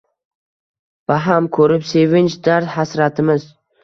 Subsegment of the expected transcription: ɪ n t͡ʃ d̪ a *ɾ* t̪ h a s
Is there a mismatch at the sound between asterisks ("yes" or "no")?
no